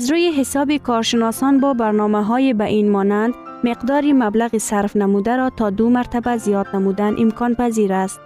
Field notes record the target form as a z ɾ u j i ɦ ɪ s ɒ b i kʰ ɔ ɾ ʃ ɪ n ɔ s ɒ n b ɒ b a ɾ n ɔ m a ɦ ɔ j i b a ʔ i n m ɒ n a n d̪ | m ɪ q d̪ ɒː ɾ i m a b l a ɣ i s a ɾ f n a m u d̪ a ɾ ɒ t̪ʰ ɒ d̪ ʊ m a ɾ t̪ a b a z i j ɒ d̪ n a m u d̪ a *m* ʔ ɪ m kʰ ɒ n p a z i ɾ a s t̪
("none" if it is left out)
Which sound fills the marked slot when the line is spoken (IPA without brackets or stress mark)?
n